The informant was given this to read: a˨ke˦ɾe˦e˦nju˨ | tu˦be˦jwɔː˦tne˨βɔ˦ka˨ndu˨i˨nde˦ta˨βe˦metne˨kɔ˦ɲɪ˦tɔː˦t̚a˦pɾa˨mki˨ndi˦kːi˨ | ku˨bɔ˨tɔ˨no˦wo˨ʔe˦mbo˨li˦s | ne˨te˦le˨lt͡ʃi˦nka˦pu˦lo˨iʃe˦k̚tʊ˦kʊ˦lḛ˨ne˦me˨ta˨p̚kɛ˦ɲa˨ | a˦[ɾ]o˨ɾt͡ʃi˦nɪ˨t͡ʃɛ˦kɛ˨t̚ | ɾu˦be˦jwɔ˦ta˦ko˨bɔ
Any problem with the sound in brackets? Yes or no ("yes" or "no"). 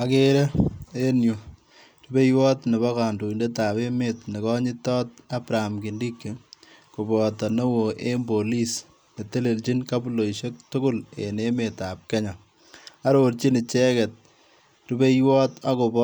no